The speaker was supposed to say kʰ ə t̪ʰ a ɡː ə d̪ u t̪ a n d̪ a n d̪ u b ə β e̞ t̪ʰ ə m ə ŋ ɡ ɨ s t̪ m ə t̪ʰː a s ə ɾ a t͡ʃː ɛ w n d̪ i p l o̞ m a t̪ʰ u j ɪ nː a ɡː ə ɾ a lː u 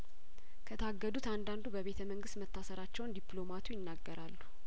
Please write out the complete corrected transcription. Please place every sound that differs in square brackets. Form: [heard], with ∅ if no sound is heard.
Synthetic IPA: kʰ ə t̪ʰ a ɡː ə d̪ u t̪ a n d̪ a n d̪ u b ə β e̞ t̪ʰ ə m ə ŋ ɡ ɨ s t̪ m ə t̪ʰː a s ə ɾ a t͡ʃː ɛ w n d̪ i p l o̞ m a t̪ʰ u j ɪ nː a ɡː ə ɾ a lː u